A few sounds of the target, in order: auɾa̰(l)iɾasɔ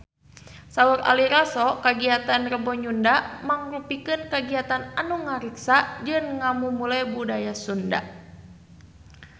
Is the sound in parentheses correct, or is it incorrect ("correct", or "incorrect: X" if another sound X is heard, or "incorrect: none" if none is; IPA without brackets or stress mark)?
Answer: correct